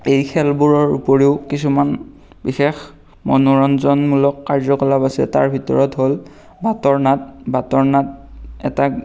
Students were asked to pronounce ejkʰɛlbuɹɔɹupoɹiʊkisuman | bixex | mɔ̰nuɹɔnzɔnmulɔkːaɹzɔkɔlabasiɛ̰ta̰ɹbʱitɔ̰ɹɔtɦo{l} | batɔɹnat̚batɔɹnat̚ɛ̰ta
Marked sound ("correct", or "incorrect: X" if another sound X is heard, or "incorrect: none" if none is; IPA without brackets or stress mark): correct